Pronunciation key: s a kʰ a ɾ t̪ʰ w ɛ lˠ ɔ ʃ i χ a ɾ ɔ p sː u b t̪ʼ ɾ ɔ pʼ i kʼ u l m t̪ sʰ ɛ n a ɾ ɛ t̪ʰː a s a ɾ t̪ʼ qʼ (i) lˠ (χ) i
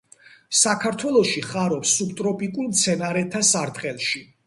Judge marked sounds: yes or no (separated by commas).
no, no